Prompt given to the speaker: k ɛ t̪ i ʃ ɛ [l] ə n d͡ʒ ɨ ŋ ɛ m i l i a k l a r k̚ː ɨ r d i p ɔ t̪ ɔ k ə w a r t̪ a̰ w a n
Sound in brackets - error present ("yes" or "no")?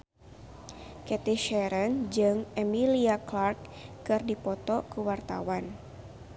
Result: yes